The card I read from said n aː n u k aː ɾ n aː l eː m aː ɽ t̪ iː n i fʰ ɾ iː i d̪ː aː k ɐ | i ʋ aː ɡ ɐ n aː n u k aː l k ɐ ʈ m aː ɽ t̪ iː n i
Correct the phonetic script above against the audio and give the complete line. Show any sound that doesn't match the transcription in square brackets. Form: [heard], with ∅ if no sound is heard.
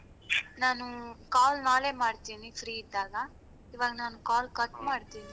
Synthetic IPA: n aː n u k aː [l] n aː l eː m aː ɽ t̪ iː n i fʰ ɾ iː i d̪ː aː [ɡ] ɐ | i ʋ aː ɡ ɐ n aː n u k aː l k ɐ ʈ m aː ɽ t̪ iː n i